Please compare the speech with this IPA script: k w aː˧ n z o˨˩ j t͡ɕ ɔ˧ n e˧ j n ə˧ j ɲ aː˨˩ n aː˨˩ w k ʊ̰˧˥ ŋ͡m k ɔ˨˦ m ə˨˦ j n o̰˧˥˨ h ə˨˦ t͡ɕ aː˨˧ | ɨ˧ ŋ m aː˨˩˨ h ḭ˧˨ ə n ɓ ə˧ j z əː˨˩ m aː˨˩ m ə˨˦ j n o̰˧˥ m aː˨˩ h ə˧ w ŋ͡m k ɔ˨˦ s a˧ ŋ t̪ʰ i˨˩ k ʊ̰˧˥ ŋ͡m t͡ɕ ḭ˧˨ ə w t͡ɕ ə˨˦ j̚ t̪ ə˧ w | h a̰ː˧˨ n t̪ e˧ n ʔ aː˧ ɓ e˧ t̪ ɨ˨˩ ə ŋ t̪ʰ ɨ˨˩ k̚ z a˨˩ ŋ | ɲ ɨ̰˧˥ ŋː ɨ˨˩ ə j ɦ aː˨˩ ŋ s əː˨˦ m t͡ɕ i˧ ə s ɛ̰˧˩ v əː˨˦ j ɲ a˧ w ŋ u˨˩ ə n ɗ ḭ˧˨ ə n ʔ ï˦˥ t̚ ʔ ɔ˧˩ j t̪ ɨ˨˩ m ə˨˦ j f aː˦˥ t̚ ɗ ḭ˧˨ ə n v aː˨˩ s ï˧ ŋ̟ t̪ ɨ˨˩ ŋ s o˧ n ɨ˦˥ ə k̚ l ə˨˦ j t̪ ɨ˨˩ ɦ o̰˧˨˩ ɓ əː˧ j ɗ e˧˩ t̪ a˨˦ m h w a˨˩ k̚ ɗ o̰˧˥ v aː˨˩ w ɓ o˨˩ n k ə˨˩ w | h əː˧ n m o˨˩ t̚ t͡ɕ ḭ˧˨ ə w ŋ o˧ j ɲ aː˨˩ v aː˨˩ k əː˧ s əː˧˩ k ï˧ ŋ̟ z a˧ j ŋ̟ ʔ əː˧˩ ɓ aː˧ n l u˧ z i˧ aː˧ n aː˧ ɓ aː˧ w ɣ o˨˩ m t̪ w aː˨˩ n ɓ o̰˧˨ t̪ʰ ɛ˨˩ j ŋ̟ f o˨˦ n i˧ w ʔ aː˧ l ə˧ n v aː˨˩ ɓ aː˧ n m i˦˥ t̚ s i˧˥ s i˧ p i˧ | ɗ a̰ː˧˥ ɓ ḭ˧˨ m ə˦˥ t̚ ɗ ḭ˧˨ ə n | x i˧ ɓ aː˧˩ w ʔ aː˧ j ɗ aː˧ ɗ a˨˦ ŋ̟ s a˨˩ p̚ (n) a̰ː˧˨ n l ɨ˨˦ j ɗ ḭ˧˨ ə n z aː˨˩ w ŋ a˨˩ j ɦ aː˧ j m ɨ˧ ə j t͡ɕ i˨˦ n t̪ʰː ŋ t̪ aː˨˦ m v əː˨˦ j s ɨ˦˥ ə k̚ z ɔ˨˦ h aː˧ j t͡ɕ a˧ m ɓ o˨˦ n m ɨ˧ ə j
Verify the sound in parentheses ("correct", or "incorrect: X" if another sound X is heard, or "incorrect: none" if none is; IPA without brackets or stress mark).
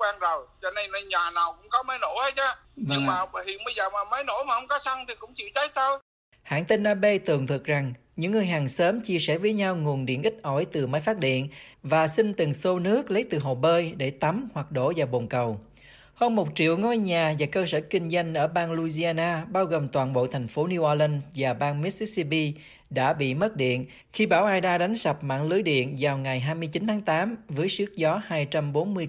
incorrect: m